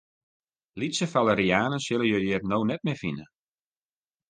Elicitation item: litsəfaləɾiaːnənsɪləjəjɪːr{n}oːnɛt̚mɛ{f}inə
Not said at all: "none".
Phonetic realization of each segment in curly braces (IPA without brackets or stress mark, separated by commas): n, f